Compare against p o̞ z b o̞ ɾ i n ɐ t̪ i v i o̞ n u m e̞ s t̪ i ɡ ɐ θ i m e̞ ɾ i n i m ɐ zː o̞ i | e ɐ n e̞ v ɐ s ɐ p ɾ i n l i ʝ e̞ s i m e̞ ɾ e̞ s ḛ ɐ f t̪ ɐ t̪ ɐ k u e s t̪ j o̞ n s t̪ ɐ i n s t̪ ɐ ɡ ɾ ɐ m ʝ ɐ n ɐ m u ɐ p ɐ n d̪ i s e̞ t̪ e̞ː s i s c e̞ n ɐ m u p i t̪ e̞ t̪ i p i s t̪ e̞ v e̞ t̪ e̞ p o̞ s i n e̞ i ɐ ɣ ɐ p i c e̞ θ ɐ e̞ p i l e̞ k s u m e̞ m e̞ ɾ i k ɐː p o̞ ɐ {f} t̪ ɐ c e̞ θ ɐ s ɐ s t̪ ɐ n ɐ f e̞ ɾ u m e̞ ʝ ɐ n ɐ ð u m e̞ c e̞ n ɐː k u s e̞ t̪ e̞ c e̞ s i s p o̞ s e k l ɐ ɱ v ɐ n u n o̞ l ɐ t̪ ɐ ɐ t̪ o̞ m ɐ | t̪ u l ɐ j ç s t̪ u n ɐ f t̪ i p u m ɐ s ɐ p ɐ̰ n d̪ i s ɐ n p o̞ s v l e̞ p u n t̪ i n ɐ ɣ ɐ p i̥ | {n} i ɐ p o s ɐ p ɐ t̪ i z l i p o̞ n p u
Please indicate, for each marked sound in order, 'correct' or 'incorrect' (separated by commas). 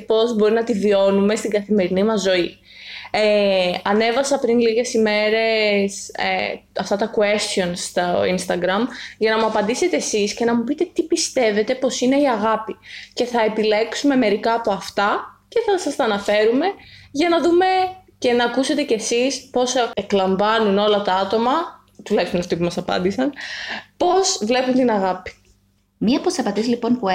correct, incorrect